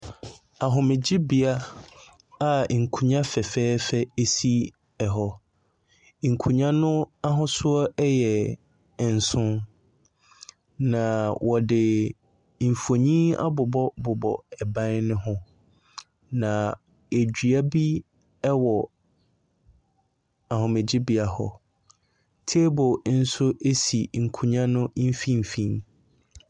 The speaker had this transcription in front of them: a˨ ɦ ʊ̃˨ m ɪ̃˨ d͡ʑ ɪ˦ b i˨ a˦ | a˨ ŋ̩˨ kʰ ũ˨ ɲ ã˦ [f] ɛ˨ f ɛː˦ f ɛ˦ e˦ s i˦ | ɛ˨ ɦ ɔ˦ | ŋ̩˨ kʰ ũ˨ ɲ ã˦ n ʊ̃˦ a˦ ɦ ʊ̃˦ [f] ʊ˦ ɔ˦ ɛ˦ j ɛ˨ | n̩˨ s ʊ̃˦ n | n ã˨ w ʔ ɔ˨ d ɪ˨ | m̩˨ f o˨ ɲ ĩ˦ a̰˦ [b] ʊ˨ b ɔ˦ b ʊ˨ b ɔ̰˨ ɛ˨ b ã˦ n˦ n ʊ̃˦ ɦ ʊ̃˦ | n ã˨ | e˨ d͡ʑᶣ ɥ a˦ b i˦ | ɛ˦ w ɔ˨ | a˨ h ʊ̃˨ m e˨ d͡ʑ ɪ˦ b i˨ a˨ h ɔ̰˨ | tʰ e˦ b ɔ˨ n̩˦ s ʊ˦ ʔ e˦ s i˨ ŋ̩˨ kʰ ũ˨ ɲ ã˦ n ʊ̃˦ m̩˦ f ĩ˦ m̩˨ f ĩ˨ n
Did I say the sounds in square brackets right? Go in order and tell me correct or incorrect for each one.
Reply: correct, incorrect: s, correct

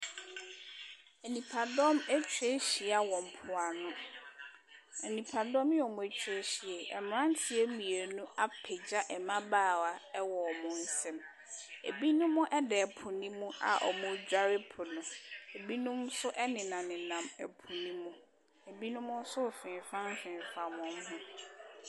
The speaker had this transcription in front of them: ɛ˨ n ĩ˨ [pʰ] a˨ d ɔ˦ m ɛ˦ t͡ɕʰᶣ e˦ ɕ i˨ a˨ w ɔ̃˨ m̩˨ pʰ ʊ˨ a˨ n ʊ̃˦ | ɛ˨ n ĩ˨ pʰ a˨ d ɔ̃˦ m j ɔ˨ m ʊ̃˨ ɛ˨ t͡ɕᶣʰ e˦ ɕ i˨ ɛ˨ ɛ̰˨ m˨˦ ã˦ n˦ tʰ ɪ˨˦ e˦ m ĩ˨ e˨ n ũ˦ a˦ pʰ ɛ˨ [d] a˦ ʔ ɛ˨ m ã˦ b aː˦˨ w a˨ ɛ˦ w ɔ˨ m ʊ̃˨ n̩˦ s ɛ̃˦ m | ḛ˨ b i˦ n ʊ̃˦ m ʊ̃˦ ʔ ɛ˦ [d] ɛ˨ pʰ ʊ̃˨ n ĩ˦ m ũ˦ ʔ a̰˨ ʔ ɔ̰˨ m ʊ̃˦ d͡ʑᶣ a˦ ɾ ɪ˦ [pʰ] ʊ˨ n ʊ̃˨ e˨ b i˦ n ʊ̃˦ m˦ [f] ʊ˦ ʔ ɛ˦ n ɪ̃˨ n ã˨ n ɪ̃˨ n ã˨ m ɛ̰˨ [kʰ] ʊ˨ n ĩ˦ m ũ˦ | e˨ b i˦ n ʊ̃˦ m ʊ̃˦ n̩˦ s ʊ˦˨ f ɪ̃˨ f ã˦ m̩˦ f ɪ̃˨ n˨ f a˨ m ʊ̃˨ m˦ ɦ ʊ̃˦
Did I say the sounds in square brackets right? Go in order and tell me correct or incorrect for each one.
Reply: correct, incorrect: d͡ʑ, correct, correct, incorrect: s, incorrect: pʰ

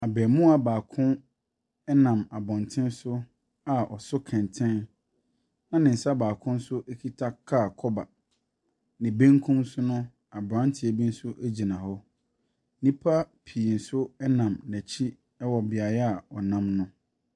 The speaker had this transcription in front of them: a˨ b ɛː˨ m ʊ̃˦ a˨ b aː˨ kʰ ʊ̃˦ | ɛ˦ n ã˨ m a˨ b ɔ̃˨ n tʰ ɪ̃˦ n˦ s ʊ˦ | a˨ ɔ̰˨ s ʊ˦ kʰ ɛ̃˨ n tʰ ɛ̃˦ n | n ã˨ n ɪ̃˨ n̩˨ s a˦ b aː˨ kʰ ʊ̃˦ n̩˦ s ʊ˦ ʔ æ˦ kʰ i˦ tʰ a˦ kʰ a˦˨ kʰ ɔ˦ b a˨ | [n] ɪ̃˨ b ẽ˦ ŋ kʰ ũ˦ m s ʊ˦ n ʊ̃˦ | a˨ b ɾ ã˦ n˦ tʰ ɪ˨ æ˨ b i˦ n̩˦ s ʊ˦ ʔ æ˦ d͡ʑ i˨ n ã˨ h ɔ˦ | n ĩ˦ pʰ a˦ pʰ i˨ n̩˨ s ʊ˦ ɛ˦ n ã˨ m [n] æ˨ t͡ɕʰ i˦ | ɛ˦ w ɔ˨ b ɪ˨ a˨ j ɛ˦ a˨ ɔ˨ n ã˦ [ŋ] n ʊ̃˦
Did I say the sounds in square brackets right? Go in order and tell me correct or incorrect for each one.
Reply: correct, correct, incorrect: m

